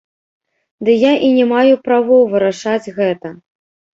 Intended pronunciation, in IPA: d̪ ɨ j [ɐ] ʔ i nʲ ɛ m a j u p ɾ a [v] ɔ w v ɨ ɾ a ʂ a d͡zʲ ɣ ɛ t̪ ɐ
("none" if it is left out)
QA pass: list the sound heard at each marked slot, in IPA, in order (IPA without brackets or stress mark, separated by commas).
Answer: a, v